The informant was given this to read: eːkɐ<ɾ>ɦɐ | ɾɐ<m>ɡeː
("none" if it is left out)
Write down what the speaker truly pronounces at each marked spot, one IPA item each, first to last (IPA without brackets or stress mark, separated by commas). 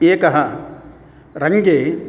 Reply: none, ŋ